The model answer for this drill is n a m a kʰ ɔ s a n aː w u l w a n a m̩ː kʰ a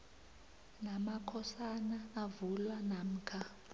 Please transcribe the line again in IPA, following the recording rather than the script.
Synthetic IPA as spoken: n a m a kʰ ɔ s a n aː v u l w a n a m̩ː kʰ a